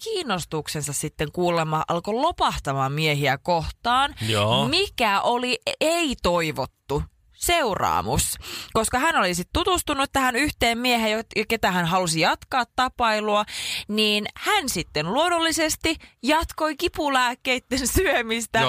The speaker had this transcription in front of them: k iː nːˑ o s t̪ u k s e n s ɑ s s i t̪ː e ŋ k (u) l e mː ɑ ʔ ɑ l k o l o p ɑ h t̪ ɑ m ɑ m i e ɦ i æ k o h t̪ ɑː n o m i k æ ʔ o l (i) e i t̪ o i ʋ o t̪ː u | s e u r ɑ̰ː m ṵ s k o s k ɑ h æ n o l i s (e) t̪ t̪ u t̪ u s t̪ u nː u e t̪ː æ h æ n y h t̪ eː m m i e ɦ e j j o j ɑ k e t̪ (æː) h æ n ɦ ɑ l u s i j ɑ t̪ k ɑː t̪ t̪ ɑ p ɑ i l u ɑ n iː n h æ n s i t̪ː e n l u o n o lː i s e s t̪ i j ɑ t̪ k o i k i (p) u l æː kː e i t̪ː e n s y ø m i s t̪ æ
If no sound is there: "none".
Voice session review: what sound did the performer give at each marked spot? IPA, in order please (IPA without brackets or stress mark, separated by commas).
uː, i, i, æ, p